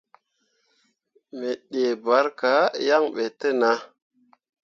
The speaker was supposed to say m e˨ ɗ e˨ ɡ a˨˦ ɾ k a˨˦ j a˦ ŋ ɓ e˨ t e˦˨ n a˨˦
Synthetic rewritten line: m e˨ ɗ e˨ b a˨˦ ɾ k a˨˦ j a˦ ŋ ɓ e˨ t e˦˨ n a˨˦